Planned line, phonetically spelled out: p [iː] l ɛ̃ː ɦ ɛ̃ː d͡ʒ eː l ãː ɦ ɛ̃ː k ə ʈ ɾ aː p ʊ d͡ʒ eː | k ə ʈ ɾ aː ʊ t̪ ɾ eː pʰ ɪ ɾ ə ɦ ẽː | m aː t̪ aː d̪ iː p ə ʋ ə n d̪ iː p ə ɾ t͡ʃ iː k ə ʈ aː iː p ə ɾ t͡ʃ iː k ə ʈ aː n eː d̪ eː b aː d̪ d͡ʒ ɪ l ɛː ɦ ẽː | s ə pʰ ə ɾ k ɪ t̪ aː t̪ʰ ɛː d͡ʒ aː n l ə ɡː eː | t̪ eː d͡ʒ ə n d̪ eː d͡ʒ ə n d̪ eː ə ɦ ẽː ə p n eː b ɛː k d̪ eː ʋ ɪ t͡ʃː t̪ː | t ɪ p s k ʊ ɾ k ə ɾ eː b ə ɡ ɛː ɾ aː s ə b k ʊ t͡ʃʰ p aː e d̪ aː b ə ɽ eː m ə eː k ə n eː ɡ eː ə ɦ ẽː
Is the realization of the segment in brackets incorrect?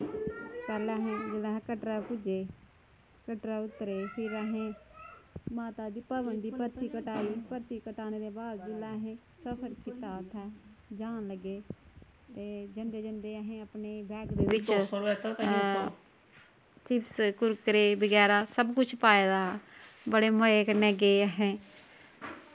yes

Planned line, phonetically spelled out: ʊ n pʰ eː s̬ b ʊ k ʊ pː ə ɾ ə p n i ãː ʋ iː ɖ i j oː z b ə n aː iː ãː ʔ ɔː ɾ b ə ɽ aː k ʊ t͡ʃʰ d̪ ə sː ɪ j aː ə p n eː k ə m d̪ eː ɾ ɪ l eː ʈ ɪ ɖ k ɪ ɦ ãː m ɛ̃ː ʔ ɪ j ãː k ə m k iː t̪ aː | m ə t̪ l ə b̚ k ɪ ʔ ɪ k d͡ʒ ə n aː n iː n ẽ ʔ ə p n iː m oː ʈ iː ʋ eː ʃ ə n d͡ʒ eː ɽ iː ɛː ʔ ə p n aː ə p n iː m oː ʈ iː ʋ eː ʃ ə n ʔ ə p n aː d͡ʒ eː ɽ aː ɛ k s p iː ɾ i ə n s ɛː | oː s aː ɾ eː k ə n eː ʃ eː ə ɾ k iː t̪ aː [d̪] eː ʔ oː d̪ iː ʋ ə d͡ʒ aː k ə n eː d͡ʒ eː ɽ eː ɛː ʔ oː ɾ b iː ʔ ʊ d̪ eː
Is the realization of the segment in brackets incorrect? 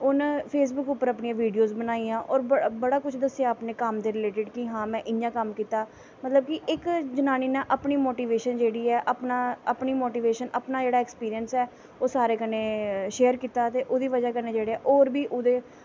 yes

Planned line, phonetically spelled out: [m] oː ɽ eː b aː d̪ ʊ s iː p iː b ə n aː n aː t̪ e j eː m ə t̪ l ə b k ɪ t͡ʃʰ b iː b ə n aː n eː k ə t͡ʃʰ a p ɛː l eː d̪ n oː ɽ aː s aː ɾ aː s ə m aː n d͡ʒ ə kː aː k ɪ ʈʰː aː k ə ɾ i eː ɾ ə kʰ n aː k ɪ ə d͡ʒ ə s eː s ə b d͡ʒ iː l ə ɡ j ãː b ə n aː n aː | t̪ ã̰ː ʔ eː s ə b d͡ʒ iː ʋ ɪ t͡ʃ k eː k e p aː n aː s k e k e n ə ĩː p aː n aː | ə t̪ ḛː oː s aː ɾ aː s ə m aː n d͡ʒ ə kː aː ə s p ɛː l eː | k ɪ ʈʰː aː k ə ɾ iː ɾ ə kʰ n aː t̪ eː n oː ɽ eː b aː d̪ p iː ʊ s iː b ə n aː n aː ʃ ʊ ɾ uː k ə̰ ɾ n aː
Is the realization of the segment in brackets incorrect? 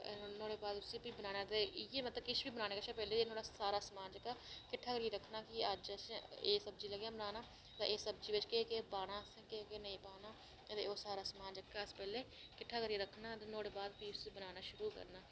yes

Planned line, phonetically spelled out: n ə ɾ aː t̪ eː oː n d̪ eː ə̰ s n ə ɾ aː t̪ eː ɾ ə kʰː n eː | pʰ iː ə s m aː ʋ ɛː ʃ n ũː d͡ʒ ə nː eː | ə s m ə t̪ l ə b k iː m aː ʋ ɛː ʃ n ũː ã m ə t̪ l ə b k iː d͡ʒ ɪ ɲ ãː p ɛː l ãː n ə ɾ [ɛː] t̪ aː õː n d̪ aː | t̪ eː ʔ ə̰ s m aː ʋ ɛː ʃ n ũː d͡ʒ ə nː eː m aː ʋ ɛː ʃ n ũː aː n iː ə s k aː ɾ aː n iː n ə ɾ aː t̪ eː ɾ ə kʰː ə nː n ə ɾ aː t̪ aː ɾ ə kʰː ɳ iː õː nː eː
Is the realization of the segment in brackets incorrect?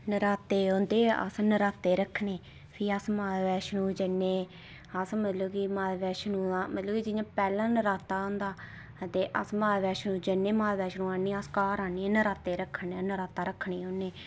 yes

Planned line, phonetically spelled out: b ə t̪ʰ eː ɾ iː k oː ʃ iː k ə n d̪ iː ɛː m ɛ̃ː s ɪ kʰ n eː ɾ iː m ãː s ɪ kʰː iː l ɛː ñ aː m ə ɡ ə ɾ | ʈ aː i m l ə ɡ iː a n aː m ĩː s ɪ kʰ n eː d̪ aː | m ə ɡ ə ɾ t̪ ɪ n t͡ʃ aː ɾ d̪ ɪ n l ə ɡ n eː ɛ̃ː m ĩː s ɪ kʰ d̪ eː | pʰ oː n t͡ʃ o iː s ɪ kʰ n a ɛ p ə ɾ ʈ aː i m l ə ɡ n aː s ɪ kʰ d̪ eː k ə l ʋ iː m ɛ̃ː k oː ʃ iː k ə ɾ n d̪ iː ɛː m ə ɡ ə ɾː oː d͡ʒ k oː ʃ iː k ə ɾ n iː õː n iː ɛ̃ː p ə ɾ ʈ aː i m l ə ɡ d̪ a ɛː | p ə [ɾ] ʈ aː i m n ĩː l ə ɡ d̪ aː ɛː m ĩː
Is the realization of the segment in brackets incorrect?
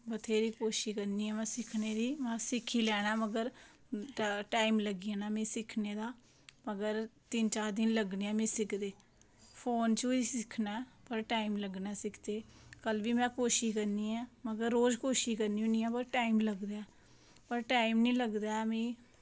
no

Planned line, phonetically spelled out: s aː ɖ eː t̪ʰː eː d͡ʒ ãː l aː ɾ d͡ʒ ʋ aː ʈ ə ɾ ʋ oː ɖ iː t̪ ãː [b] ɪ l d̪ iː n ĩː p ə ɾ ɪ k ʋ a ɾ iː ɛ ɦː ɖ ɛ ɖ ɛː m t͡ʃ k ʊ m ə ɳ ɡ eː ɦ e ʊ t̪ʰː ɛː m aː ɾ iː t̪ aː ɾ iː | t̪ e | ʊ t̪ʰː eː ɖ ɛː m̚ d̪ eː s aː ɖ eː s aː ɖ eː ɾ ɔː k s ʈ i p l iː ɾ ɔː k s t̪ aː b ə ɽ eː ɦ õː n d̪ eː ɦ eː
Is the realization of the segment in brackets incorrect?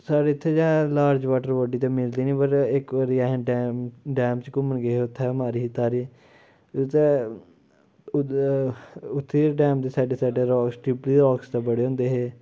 yes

